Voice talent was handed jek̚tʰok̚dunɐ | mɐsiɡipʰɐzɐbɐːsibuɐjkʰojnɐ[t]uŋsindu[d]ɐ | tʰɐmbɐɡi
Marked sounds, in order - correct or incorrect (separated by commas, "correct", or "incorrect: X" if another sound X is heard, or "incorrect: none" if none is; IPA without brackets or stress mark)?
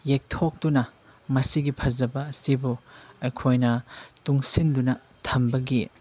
correct, incorrect: n